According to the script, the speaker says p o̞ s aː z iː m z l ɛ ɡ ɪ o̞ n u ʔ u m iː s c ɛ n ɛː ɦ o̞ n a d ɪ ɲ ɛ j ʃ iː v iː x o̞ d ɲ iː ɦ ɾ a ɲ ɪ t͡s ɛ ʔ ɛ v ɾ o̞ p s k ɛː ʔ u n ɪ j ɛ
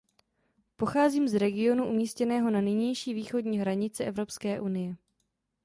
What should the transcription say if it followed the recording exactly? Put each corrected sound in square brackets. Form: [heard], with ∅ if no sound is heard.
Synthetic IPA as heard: p o̞ [x] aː z iː m z [ɾ] ɛ ɡ ɪ o̞ n u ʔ u m iː s c ɛ n ɛː ɦ o̞ n a [n] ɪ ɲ ɛ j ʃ iː v iː x o̞ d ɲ iː ɦ ɾ a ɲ ɪ t͡s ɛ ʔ ɛ v ɾ o̞ p s k ɛː ʔ u n ɪ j ɛ

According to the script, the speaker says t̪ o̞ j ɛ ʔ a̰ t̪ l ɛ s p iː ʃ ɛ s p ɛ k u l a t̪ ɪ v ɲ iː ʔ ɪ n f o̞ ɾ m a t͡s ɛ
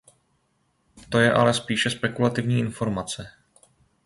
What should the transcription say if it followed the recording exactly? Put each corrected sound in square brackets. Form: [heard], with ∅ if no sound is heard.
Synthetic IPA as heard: t̪ o̞ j ɛ ʔ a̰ [∅] l ɛ s p iː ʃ ɛ s p ɛ k u l a t̪ ɪ v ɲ iː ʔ ɪ n f o̞ ɾ m a t͡s ɛ

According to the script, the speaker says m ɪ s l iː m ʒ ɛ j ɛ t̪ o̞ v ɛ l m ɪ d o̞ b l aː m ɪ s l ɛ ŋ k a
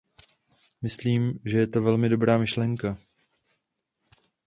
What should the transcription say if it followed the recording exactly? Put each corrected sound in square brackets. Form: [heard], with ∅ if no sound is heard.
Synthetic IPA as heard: m ɪ s l iː m ʒ ɛ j ɛ t̪ o̞ v ɛ l m ɪ d o̞ b [ɾ] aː m ɪ [ʃ] l ɛ ŋ k a

